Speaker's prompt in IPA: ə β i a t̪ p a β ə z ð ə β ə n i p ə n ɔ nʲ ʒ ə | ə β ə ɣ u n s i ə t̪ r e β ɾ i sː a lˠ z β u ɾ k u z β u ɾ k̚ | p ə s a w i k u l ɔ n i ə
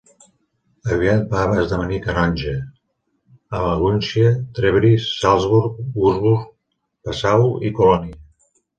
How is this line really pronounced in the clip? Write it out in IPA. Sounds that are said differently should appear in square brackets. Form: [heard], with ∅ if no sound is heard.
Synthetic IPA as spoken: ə β i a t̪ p a β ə z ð ə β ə n i [k] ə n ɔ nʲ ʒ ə | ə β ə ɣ u n s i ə t̪ [ɾ] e β ɾ i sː a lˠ z β u ɾ k u z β u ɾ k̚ | p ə s a w i k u l ɔ n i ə

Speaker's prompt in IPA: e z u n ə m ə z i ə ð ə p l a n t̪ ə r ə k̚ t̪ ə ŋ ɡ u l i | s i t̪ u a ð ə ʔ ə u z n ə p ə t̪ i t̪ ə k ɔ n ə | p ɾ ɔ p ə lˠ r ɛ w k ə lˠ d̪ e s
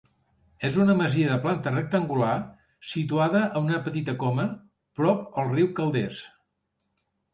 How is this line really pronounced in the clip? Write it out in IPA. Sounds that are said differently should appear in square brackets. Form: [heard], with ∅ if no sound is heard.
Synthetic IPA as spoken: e z u n ə m ə z i ə ð ə p l a n t̪ ə r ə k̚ t̪ ə ŋ ɡ u l [a] | s i t̪ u a ð ə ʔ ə u [∅] n ə p ə t̪ i t̪ ə k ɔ [m] ə | p ɾ ɔ p ə lˠ r [i] w k ə lˠ d̪ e s

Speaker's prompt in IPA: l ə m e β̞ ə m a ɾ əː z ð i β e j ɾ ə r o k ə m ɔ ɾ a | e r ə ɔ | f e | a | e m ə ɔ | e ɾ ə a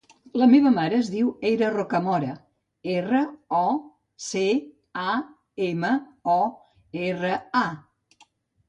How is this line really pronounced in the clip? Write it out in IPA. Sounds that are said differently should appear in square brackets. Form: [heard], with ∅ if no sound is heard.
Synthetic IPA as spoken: l ə m e β̞ ə m a ɾ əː z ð i [w] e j ɾ ə r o k ə m ɔ ɾ [ə] | e r ə ɔ | [s] e | a | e m ə ɔ | e [r] ə a

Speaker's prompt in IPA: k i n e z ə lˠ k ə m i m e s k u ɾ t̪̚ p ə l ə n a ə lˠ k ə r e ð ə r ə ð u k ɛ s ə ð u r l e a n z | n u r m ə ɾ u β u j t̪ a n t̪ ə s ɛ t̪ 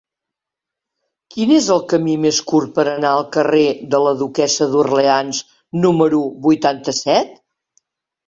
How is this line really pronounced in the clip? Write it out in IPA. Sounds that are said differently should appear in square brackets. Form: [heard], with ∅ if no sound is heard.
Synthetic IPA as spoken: k i n e z ə lˠ k ə m i m e s k u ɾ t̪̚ p ə [ɾ] ə n a ə lˠ k ə r e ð ə [l] ə ð u k ɛ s ə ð u r l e a n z | n u [∅] m ə ɾ u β u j t̪ a n t̪ ə s ɛ t̪

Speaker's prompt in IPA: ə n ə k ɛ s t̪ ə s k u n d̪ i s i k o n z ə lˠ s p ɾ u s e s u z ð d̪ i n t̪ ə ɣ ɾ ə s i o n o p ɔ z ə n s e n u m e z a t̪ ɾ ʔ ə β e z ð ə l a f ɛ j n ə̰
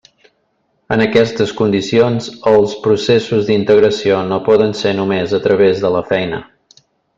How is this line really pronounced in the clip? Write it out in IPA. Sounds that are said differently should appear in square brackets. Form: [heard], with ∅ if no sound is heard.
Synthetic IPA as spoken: ə n ə k ɛ s t̪ ə s k u n d̪ i s i [∅] o n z ə lˠ s p ɾ u s e s u z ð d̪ i n t̪ ə ɣ ɾ ə s i o n o p ɔ [ð] ə n s e n u m e z [ə] t̪ ɾ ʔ ə β e z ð ə l [ə] f ɛ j n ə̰

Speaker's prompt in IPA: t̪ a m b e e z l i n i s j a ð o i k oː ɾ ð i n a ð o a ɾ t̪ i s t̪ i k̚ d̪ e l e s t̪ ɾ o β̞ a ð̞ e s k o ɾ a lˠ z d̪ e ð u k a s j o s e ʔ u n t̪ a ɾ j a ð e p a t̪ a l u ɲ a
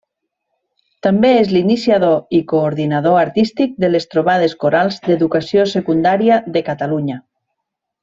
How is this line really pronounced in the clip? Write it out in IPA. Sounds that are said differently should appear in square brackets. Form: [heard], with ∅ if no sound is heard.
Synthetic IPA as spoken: t̪ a m b e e z l i n i s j a ð o i k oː ɾ ð i n a ð o a ɾ t̪ i s t̪ i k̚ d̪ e l e s t̪ ɾ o β̞ a ð̞ e s k o ɾ a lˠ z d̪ e ð u k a s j o s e [k] u n [d̪] a ɾ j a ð e [k] a t̪ a l u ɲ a

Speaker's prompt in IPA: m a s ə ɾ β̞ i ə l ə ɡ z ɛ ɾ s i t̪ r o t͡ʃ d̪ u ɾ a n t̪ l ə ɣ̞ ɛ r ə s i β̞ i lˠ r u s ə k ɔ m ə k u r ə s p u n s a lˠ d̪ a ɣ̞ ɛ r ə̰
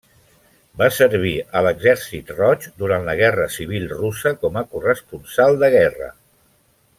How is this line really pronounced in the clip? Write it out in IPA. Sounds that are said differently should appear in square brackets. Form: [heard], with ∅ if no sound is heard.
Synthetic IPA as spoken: [b] a s ə ɾ β̞ i ə l ə ɡ z ɛ ɾ s i t̪ r [ɔ] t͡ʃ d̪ u ɾ a n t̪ l ə ɣ̞ ɛ r ə s i β̞ i lˠ r u s ə k ɔ m ə k u r ə s p u n s a lˠ d̪ [ə] ɣ̞ ɛ r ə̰

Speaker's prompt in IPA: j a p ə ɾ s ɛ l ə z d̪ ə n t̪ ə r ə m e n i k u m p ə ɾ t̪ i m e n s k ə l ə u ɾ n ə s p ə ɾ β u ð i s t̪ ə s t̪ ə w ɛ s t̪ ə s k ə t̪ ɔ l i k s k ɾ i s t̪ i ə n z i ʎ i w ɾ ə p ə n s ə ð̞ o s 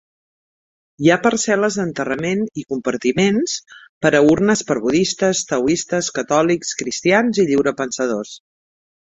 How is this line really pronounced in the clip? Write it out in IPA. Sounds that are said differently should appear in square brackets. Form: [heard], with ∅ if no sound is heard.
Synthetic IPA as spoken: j a p ə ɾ s ɛ l ə z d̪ ə n t̪ ə r ə m e n i k u m p ə ɾ t̪ i m e n s [p] ə [ɾ] ə u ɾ n ə s p ə ɾ β u ð i s t̪ ə s t̪ ə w [i] s t̪ ə s k ə t̪ ɔ l i k s k ɾ i s t̪ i [a] n z i ʎ i w ɾ ə p ə n s ə ð̞ o s

